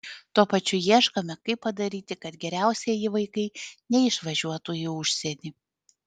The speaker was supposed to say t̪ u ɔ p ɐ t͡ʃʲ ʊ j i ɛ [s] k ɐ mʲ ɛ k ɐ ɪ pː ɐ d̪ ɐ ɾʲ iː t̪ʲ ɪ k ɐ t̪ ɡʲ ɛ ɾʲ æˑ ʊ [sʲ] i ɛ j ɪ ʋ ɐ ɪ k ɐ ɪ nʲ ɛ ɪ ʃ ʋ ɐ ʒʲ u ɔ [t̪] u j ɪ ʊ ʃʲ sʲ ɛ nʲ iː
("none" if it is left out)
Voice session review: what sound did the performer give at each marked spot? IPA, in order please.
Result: ʃ, sʲ, t̪

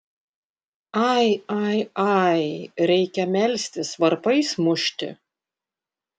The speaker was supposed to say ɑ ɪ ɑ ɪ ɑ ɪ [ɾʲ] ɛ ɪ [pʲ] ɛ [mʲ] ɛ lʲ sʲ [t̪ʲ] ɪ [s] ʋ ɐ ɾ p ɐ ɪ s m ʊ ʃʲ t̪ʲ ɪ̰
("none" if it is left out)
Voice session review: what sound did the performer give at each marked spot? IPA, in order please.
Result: ɾʲ, kʲ, mʲ, t̪ʲ, s

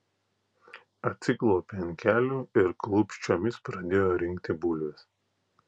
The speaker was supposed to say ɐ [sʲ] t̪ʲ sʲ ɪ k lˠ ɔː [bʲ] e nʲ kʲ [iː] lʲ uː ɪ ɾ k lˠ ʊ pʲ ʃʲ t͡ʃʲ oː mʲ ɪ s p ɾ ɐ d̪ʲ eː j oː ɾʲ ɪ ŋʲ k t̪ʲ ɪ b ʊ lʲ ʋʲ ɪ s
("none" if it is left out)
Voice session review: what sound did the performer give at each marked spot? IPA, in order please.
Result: none, pʲ, æː

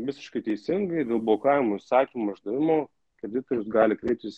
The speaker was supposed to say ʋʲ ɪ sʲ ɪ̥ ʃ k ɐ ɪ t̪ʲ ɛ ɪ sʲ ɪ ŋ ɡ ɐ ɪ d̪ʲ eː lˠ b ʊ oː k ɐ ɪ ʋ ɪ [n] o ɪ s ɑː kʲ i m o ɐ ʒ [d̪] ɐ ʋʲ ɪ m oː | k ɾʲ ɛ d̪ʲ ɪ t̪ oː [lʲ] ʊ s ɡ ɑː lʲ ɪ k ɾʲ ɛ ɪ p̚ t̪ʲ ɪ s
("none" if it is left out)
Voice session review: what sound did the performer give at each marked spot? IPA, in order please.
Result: m, d̪, ɾʲ

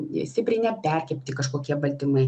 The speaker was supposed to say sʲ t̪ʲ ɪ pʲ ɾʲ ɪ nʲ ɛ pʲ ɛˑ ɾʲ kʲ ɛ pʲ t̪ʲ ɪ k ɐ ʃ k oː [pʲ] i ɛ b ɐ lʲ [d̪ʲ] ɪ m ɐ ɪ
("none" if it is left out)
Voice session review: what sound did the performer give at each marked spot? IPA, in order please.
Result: kʲ, t̪ʲ

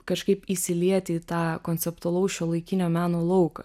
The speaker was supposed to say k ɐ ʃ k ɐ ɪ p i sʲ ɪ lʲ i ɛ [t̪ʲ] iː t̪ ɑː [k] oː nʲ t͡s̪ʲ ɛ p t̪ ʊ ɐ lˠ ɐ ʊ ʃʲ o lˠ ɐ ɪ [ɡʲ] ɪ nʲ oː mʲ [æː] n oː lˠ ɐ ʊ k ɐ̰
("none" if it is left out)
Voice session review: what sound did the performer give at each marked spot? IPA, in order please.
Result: t̪ʲ, k, kʲ, æː

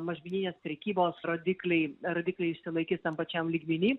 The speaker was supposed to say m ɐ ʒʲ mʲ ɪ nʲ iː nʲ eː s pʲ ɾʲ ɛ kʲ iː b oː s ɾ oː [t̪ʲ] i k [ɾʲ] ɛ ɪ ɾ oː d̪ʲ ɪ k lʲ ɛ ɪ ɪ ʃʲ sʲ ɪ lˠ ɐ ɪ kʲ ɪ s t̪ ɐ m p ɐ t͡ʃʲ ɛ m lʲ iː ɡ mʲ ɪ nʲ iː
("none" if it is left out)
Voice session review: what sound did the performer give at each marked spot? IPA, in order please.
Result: d̪ʲ, lʲ

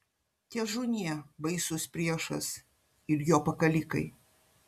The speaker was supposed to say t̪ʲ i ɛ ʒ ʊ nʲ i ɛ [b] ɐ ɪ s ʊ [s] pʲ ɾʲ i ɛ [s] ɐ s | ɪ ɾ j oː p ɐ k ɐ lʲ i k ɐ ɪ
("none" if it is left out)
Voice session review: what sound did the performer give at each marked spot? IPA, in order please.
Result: b, s, ʃ

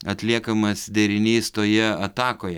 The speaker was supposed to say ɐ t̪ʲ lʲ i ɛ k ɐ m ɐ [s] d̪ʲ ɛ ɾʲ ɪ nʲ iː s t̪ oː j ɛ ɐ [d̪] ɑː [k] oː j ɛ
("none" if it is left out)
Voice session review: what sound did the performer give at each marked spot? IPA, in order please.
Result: s, t̪, k

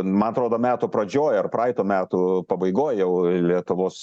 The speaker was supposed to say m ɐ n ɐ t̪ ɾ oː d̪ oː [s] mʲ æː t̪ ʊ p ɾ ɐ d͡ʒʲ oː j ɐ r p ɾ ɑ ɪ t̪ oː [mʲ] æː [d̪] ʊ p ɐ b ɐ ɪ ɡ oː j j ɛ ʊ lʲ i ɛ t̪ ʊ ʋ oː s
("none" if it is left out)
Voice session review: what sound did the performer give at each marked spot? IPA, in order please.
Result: none, mʲ, t̪

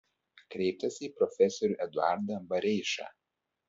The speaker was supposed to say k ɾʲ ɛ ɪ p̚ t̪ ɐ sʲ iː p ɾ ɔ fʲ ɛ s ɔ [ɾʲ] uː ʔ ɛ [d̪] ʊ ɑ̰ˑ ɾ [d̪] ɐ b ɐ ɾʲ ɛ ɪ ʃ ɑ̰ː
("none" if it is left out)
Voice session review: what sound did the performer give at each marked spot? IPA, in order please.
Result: ɾʲ, d̪, d̪

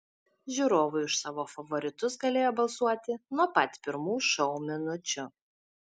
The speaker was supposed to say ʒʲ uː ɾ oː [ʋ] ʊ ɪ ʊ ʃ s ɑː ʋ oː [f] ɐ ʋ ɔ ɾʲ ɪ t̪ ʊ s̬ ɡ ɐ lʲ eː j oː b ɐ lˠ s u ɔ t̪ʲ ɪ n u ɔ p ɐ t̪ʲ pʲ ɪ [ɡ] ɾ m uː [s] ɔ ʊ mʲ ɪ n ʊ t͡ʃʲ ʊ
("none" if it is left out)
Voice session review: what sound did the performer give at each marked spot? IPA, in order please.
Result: ʋ, f, none, ʃ

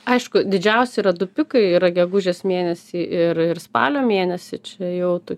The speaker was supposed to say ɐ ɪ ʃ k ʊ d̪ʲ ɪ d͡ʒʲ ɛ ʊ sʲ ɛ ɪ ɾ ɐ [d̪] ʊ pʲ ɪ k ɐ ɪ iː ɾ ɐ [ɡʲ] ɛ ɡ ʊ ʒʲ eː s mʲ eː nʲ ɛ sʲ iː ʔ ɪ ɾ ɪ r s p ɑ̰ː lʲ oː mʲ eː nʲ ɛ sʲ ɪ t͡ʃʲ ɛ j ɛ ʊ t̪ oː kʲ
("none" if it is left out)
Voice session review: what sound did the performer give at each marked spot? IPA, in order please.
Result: d̪, ɡʲ

